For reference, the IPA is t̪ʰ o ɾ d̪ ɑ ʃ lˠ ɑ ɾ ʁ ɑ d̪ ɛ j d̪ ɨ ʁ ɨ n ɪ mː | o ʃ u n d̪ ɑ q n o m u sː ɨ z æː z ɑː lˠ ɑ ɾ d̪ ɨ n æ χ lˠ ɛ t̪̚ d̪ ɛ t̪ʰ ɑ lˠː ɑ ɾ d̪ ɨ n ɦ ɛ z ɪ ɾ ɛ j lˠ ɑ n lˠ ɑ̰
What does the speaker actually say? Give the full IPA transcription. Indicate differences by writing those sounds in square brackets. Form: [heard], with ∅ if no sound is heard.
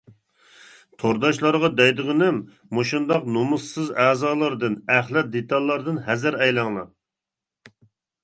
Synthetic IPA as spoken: t̪ʰ o ɾ d̪ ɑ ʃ lˠ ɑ ɾ ʁ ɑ d̪ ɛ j d̪ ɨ ʁ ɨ n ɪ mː | o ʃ u n d̪ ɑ q n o m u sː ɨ z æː z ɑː lˠ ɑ ɾ d̪ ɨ n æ χ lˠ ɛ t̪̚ d̪ [e] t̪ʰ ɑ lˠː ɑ ɾ d̪ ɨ n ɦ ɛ z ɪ ɾ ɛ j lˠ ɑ [ŋ] lˠ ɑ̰